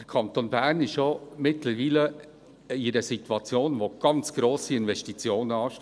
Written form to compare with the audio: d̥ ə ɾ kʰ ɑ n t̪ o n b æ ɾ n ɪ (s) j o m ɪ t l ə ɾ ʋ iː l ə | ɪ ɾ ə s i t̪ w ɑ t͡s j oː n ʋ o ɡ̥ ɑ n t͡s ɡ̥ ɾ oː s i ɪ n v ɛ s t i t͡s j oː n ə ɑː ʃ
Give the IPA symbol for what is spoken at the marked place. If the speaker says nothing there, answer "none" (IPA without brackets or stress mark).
ʃ